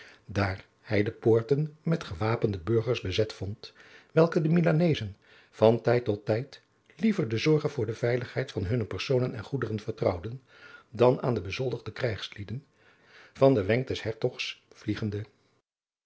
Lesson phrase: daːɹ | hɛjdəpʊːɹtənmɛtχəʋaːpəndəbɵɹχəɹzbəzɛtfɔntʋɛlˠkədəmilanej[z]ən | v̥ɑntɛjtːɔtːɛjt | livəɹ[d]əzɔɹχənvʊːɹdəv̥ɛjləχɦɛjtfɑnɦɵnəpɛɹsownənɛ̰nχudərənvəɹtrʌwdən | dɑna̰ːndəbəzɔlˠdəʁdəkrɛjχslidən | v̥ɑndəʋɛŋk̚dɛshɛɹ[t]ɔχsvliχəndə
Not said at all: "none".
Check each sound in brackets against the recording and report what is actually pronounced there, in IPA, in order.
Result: z, d, t

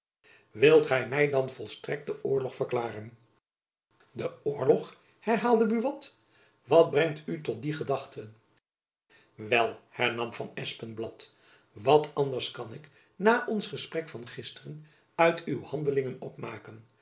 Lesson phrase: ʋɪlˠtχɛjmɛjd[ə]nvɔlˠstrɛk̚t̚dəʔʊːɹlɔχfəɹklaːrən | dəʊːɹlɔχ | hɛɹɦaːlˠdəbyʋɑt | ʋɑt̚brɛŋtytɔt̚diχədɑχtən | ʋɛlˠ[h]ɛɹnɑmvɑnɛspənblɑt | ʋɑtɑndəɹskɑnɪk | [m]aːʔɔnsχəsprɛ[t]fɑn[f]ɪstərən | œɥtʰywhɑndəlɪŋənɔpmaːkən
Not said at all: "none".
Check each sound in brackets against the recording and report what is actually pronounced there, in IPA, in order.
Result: ɑ, h, n, k, χ

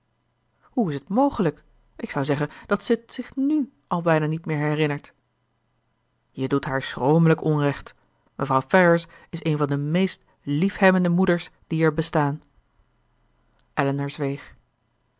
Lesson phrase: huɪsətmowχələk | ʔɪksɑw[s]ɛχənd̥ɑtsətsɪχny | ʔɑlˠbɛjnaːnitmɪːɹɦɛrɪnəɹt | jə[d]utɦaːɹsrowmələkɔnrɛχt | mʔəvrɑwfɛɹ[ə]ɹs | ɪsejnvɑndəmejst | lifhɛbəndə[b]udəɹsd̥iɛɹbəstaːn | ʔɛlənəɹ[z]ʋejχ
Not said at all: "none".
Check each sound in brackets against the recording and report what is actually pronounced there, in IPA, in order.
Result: z, d, ə, m, z

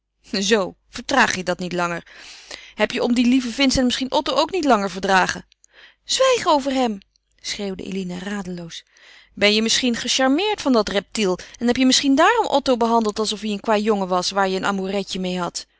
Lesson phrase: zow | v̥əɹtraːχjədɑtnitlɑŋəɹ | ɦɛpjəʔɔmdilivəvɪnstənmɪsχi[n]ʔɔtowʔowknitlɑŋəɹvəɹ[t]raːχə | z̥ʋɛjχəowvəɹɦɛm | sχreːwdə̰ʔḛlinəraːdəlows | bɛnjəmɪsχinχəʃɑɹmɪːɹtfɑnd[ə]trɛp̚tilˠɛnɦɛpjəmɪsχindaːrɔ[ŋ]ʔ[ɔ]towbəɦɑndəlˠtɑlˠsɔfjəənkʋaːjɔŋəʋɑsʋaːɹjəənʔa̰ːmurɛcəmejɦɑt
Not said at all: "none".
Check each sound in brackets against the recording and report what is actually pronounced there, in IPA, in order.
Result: n, d, ɑ, m, ɔ

